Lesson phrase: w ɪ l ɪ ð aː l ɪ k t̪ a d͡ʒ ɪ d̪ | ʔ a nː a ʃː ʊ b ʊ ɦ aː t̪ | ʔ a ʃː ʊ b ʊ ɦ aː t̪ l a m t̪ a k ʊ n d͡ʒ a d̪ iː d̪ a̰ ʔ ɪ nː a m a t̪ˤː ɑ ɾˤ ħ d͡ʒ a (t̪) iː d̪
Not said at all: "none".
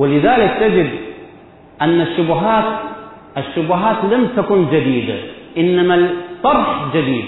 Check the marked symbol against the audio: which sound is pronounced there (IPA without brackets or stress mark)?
d̪